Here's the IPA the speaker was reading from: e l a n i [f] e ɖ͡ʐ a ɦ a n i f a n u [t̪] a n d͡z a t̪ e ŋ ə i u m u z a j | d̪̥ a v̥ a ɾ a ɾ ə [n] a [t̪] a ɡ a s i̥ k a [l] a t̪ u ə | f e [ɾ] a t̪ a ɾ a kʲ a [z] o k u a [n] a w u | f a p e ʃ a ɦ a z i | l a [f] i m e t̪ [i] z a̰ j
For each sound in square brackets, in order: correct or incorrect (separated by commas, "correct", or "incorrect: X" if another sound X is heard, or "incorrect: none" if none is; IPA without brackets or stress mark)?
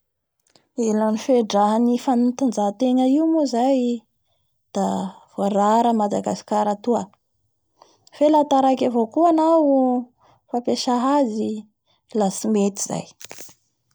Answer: correct, correct, incorrect: m, incorrect: d̪, incorrect: ɾ, incorrect: l, incorrect: v, correct, incorrect: s, correct